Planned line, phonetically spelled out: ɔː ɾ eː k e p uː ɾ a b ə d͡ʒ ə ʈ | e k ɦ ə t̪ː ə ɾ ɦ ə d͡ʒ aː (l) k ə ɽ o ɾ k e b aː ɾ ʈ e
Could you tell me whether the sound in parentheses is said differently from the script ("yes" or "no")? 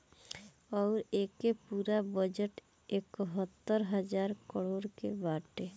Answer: yes